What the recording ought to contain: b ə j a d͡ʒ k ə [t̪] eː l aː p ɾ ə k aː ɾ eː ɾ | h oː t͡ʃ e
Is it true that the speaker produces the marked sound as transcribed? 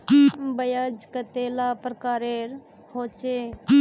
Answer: yes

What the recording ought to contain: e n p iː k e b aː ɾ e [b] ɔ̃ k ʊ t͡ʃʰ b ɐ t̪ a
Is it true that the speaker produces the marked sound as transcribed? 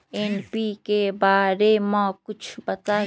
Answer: no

